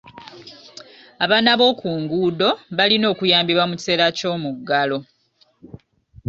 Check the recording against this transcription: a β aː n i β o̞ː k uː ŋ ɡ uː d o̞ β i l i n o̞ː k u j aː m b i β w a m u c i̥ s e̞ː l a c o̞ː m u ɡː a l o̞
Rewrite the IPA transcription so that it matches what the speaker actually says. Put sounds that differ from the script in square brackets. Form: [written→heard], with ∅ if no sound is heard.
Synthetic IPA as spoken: a β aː n [i→a] β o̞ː k uː ŋ ɡ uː d o̞ β [i→a] l i n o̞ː k u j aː m b i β w a m u c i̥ s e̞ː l a c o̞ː m u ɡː a l o̞